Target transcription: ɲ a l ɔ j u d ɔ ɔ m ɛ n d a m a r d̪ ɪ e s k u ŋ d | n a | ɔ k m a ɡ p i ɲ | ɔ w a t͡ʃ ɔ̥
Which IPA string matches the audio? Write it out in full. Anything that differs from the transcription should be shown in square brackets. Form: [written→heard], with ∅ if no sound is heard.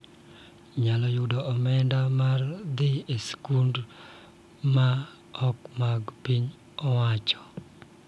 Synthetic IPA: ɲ a l ɔ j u d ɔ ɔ m ɛ n d a m a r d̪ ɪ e s k u [ŋ→n] d | [n→m] a | ɔ k m a ɡ p i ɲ | ɔ w a t͡ʃ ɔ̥